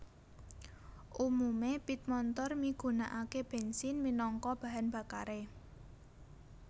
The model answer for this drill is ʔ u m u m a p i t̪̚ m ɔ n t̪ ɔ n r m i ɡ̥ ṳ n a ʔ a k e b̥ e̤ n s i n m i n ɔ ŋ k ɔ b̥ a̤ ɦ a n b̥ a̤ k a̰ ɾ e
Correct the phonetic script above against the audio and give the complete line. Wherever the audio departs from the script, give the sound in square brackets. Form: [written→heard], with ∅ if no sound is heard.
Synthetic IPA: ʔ u m u m [a→e] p i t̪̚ m ɔ n t̪ ɔ [n→∅] r m i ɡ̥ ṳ n a ʔ a k e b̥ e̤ n s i n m i n ɔ ŋ k ɔ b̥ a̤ ɦ a n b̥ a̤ k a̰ ɾ e